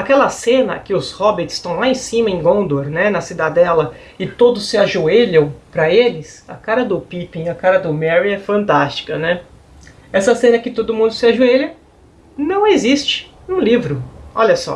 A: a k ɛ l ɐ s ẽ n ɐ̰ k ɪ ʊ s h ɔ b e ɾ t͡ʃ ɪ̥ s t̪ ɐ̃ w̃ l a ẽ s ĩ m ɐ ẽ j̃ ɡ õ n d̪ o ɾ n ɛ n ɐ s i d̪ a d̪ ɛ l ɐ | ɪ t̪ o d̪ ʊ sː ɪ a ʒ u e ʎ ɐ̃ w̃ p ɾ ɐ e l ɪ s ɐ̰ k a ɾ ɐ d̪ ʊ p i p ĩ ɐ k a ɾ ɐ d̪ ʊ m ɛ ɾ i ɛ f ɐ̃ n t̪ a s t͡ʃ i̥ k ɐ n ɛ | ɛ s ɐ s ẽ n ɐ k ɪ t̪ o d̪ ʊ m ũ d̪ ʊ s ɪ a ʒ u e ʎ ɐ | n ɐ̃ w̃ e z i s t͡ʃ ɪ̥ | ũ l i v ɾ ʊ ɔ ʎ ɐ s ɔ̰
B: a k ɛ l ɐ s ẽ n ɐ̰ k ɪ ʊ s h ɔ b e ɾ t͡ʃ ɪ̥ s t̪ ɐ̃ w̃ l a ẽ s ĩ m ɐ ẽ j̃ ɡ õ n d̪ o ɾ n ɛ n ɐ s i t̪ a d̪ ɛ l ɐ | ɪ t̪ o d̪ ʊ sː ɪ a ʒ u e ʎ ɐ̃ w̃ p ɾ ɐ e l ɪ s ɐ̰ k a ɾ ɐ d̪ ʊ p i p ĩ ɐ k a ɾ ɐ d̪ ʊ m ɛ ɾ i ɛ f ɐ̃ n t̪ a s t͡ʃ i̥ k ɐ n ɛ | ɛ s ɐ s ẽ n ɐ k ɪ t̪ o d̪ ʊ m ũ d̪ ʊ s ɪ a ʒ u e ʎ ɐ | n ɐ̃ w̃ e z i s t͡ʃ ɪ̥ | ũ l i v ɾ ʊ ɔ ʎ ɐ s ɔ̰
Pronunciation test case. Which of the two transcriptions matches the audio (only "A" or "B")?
A